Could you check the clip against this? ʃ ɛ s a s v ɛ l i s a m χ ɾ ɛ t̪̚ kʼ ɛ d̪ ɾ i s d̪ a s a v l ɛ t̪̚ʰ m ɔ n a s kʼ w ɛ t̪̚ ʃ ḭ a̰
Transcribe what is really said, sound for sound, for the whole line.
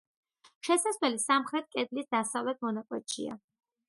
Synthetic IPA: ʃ ɛ s a s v ɛ l i s a m χ ɾ ɛ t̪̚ kʼ ɛ d̪ l i s d̪ a s a v l ɛ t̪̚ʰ m ɔ n a kʼ w ɛ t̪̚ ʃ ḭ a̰